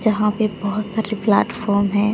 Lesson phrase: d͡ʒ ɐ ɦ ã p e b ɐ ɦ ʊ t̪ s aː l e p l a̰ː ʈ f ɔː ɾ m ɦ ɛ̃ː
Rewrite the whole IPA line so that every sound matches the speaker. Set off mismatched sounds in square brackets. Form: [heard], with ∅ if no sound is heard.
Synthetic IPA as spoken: d͡ʒ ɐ ɦ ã p e b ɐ ɦ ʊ t̪ s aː [ɾ] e p l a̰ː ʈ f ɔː ɾ m ɦ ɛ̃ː